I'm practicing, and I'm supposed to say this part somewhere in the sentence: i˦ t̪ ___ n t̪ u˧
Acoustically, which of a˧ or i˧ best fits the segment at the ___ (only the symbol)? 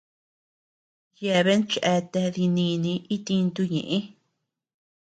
i˧